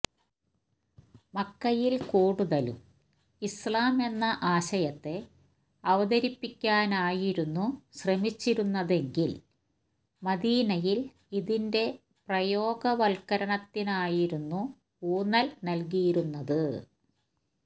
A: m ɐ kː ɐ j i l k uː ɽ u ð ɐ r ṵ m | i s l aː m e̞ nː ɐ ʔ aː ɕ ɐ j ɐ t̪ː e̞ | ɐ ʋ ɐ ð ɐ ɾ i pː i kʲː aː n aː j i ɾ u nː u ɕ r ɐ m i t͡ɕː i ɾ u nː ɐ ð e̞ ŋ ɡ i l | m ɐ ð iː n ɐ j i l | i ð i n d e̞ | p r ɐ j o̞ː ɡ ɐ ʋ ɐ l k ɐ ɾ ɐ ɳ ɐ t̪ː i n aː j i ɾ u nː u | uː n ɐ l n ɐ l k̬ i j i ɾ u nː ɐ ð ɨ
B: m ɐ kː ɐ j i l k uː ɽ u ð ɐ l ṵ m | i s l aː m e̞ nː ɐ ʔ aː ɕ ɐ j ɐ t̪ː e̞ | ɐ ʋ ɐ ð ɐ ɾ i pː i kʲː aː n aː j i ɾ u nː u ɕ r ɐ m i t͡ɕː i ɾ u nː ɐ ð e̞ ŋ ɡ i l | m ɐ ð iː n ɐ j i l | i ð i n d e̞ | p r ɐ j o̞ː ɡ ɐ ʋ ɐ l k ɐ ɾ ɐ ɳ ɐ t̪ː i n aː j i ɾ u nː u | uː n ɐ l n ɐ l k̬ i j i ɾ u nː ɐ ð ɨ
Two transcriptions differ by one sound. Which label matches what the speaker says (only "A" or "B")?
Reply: B